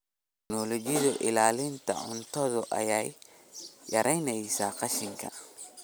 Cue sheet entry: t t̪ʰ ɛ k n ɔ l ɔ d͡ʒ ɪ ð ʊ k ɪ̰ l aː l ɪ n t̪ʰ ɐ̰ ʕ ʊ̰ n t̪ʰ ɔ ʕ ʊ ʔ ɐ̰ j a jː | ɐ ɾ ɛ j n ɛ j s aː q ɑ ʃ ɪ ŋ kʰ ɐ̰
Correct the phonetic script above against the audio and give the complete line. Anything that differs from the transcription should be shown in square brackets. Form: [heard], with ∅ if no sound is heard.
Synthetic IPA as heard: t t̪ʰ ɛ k n ɔ l ɔ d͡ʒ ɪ ð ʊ [ʔ] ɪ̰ l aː l ɪ n t̪ʰ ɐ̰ ʕ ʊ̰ n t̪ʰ ɔ [ð] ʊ ʔ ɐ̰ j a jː | ɐ ɾ ɛ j n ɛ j s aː q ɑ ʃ ɪ ŋ kʰ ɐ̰